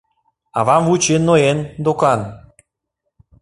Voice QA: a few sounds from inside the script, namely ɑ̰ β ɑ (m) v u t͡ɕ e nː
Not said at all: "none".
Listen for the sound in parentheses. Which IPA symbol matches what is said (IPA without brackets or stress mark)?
m